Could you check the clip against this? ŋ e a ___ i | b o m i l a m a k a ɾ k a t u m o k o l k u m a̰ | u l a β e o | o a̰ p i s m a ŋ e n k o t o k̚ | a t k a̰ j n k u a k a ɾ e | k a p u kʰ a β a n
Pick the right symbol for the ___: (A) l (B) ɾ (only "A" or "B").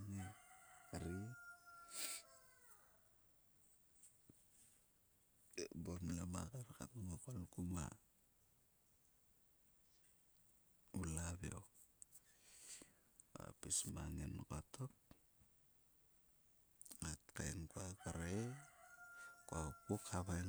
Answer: B